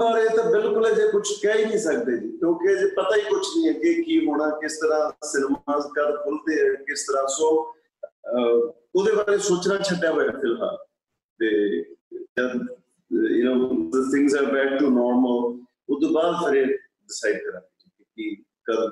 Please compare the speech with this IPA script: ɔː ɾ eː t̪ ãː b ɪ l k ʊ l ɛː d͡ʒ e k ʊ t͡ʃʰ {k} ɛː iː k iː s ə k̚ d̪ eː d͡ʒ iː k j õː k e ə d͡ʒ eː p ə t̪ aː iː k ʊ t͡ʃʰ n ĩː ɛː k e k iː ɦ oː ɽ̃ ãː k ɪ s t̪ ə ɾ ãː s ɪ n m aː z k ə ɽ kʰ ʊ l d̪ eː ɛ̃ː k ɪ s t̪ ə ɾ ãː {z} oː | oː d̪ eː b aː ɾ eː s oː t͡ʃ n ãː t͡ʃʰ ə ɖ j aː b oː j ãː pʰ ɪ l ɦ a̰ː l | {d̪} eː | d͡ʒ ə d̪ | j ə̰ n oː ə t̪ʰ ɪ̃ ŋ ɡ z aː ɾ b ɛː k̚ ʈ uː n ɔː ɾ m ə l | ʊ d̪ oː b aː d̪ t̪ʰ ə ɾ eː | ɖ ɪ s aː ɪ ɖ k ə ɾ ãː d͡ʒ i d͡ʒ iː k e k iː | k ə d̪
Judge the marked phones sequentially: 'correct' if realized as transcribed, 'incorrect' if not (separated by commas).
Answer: correct, incorrect, incorrect